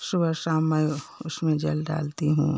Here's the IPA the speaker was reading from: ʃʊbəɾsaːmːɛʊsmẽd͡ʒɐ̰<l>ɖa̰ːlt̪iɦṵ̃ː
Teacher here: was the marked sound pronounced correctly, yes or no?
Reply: yes